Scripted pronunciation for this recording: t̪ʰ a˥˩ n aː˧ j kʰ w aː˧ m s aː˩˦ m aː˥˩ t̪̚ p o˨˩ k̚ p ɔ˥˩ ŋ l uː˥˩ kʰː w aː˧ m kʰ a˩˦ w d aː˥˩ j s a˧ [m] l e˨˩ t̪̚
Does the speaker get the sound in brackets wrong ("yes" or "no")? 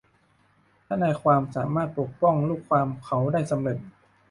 no